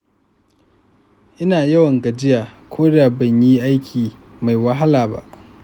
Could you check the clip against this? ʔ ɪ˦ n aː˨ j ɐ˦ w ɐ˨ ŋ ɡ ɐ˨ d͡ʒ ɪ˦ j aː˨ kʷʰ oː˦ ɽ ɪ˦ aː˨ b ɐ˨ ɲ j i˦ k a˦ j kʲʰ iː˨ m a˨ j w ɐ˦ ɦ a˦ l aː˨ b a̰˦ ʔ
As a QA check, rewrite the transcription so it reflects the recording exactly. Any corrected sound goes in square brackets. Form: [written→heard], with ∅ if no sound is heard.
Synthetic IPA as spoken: ʔ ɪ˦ n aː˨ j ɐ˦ w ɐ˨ ŋ ɡ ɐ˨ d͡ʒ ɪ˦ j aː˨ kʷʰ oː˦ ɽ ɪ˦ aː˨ b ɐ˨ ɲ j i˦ [k→ʔ] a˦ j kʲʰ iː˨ m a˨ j w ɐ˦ ɦ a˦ l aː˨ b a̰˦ ʔ